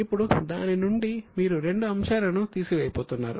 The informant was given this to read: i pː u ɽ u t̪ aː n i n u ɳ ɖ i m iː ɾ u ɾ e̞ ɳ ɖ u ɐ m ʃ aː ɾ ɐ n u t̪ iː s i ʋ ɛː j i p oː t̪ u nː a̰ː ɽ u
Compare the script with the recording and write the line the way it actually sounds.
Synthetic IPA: i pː u ɽ u d̪ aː n i n u ɳ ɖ i m iː ɾ u ɾ e̞ ɳ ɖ u ɐ m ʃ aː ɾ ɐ n u t̪ iː s i ʋ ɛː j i p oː t̪ u nː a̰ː ɾ u